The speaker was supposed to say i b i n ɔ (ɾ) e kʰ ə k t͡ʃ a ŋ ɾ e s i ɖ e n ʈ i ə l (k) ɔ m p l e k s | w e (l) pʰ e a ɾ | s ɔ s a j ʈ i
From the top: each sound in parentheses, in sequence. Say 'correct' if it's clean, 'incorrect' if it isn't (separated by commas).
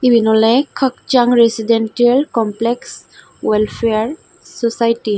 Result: incorrect, correct, correct